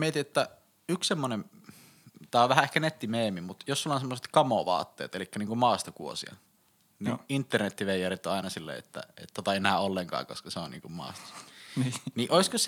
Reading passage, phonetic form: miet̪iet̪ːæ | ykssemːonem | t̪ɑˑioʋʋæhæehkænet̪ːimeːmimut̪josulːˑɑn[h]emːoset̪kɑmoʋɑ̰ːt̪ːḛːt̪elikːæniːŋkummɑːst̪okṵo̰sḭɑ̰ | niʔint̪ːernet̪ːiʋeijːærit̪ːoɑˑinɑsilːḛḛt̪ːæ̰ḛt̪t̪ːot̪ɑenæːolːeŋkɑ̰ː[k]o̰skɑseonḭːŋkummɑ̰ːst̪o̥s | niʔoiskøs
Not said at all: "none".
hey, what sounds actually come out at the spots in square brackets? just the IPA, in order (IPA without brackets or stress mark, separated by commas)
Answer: s, k